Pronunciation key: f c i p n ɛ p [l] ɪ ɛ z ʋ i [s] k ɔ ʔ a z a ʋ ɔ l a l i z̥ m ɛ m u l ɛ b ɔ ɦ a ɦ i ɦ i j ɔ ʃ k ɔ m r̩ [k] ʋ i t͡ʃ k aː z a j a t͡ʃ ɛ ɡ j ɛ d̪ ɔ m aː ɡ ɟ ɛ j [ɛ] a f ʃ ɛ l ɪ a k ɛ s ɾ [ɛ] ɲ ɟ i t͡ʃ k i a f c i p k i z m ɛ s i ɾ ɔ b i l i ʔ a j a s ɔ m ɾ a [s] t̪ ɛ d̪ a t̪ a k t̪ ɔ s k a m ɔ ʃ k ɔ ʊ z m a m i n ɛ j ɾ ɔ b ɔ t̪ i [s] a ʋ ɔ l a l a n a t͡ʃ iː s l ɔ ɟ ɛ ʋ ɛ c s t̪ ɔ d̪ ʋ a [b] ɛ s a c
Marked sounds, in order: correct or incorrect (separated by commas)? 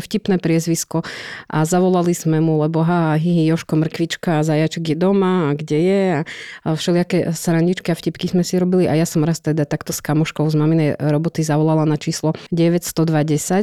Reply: incorrect, correct, correct, correct, incorrect, correct, incorrect, incorrect